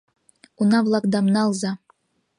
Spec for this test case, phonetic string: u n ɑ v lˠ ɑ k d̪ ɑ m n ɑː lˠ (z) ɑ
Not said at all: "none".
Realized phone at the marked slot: z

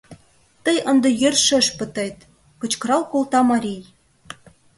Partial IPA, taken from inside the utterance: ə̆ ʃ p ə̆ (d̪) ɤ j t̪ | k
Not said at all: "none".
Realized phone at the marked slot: t̪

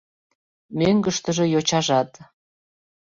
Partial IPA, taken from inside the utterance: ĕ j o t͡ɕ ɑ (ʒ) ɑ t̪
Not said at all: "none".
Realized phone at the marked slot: ʒ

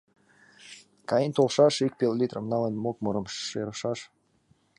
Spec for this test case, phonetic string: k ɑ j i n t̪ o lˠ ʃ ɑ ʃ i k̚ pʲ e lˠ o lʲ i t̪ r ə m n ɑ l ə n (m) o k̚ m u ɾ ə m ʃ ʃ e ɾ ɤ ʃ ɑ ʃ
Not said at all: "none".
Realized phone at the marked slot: m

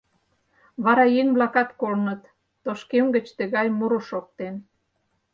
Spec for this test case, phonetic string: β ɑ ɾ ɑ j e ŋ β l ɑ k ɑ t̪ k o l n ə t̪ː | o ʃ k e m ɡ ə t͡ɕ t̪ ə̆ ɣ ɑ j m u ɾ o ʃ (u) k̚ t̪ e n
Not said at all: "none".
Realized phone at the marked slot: o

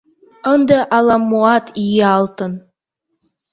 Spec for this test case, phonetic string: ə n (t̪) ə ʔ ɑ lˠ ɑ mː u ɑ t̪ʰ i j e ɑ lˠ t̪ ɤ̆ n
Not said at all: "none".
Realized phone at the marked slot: d̪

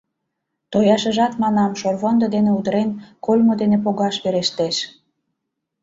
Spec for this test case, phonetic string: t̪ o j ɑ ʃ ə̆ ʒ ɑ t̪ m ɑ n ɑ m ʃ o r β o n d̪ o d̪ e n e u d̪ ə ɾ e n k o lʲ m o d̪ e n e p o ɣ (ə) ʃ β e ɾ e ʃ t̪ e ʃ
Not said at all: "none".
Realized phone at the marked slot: ɑ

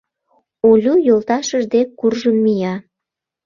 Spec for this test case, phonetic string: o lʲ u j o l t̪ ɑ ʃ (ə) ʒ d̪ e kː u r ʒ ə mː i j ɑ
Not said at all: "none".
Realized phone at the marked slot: ə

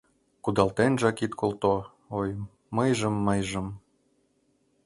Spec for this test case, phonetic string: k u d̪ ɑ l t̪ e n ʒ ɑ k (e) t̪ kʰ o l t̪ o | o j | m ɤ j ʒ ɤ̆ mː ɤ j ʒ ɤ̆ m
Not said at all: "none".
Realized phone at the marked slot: i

